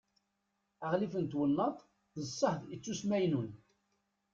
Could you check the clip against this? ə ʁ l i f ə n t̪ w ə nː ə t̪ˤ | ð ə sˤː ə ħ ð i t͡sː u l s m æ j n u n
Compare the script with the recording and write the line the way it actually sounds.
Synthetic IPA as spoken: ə ʁ l i f ə n t̪ w ə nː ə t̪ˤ | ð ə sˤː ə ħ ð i t͡sː u s m æ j n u n